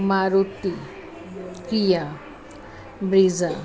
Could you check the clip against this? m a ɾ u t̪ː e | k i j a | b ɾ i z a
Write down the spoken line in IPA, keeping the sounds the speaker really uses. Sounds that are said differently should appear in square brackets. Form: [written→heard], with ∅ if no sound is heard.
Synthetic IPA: m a ɾ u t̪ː [e→i] | k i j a | b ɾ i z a